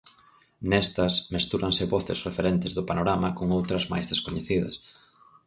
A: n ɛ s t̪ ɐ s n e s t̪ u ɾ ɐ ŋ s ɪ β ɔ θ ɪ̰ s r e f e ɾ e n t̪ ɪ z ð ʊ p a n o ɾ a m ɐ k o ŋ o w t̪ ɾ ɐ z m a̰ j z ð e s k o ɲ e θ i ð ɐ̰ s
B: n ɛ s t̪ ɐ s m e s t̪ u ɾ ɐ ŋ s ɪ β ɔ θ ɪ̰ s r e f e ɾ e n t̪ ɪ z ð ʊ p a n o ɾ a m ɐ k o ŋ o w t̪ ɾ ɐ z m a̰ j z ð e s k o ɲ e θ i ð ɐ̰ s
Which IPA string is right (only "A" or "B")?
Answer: B